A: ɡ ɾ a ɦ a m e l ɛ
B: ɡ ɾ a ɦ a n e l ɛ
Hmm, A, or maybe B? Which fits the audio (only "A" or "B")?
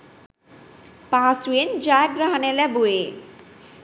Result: B